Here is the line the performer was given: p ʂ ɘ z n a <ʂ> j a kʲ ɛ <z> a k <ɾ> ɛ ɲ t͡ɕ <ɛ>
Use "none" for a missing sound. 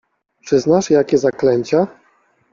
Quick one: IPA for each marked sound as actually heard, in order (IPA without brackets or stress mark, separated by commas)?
ʂ, z, l, a